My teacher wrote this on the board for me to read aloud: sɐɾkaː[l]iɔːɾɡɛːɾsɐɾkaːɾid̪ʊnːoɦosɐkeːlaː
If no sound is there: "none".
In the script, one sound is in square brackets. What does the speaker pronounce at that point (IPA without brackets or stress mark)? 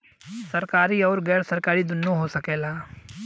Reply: ɾ